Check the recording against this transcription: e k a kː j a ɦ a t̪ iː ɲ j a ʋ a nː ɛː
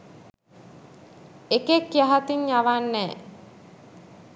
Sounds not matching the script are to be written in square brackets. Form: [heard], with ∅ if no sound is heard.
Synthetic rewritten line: e k [e] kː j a ɦ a t̪ [i] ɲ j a ʋ a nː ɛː